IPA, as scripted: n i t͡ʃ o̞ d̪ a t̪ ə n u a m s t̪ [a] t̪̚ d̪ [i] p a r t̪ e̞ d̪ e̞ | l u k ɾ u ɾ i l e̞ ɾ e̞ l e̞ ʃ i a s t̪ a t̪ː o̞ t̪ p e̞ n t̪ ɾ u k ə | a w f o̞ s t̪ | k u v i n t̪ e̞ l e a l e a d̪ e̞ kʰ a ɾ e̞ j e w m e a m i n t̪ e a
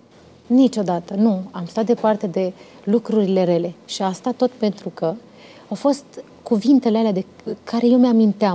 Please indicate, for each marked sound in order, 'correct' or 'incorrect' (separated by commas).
correct, incorrect